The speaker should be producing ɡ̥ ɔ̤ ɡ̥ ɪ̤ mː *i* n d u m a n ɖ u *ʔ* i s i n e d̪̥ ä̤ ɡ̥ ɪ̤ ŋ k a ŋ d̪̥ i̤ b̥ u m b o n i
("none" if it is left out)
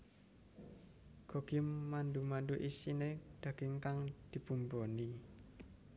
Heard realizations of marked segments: a, ʔ

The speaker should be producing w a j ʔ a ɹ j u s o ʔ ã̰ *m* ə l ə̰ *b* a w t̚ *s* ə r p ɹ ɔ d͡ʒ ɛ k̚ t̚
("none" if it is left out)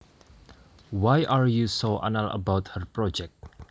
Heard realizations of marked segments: n, b, h

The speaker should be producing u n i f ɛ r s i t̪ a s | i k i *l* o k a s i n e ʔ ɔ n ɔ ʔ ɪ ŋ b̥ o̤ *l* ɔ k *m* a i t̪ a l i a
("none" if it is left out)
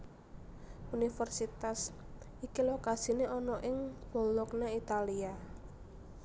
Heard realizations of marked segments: l, l, n

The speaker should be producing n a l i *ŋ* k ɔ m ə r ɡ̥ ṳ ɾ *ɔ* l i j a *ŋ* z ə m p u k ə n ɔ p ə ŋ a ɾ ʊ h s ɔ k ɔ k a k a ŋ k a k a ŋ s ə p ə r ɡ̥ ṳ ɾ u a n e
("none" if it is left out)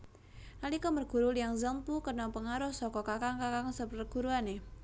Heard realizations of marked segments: none, u, ŋ

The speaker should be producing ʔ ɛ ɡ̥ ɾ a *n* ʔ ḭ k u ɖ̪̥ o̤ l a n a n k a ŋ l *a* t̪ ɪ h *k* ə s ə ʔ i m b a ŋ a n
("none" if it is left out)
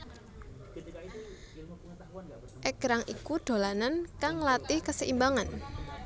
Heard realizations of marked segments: ŋ, a, k

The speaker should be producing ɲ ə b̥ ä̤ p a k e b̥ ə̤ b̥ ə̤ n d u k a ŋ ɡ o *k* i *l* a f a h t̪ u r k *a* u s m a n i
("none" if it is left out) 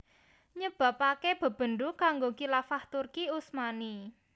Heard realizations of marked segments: k, l, i

